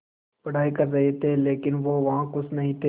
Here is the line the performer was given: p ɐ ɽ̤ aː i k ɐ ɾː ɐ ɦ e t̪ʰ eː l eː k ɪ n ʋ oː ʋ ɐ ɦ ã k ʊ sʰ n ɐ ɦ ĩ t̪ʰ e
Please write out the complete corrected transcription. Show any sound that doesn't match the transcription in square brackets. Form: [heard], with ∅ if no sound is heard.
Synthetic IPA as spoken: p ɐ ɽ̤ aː i k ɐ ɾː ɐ ɦ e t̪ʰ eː l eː k ɪ n ʋ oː ʋ ɐ ɦ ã k ʊ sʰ n ɐ ɦ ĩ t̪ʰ e